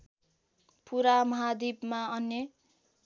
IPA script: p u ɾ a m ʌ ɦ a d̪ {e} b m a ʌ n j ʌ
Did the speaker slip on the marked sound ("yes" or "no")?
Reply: yes